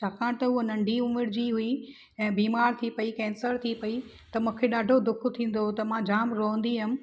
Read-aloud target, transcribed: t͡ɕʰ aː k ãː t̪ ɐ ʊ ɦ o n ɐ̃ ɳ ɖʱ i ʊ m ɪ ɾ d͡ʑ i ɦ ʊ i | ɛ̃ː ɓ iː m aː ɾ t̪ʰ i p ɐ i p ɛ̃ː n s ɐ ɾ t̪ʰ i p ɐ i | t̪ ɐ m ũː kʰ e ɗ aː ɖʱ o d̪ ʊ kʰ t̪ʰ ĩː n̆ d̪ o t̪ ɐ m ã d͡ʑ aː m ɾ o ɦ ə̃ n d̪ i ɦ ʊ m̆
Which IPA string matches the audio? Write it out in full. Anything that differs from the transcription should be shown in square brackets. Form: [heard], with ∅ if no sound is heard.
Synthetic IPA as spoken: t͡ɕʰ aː k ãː t̪ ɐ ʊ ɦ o n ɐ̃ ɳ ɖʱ i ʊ m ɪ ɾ d͡ʑ i ɦ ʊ i | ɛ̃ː [b] iː m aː ɾ t̪ʰ i p ɐ i [k] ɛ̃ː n s [ə] ɾ t̪ʰ i p ɐ i | t̪ ɐ m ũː kʰ e ɗ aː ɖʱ o d̪ ʊ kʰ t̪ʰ ĩː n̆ d̪ o t̪ ɐ m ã d͡ʑ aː m ɾ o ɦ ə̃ n d̪ i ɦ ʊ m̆